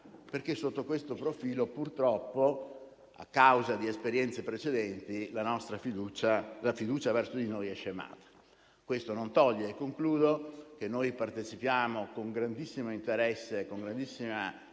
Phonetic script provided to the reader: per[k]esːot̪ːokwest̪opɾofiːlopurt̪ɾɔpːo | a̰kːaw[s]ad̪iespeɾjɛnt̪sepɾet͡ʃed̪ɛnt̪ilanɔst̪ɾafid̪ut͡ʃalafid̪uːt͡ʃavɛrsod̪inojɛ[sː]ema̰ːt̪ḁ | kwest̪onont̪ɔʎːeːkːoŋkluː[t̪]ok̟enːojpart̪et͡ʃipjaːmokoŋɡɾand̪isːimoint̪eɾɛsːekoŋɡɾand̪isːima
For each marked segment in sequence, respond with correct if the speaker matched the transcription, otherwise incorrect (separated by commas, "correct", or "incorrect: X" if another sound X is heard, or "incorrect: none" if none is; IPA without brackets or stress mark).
correct, incorrect: z, incorrect: ʃː, incorrect: d̪